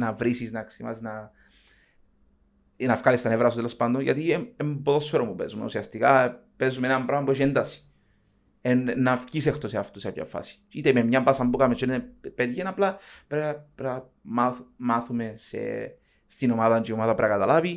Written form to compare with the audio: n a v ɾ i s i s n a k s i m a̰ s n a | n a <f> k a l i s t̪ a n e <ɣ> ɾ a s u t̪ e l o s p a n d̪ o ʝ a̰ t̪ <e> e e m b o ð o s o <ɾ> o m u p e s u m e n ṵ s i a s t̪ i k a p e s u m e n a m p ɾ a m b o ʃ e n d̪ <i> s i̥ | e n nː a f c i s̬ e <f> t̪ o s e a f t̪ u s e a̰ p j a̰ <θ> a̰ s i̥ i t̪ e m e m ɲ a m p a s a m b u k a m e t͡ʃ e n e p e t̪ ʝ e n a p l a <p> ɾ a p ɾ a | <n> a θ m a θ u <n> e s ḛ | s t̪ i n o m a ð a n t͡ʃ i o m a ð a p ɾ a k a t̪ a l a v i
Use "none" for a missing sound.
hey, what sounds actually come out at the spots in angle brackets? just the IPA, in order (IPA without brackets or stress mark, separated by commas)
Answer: f, v, i, ɾ, a, x, f, p, m, m